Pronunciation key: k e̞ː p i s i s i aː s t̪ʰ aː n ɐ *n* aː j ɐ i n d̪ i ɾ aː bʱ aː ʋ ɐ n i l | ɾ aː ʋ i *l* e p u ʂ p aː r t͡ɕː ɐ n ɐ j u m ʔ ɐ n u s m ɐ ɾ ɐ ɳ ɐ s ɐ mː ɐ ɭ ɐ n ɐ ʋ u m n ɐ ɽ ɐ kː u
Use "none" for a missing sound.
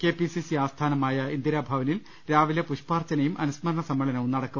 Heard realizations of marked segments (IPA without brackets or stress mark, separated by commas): m, l